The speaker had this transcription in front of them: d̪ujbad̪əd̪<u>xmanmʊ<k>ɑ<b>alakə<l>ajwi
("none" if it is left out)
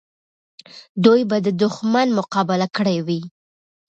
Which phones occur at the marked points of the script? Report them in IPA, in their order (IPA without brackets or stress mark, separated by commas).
ʊ, q, b, ɽ